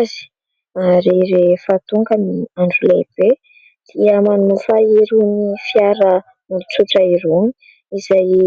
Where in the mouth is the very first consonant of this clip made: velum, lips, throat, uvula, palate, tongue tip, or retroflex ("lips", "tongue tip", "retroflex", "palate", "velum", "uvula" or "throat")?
tongue tip